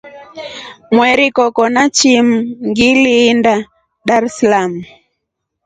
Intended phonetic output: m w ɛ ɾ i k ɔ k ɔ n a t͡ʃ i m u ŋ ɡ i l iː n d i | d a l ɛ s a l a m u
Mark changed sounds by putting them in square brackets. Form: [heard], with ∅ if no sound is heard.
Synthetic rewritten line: m w ɛ ɾ i k ɔ k ɔ n a t͡ʃ i m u ŋ ɡ i l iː n d [a] | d a [ɾ] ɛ s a l a m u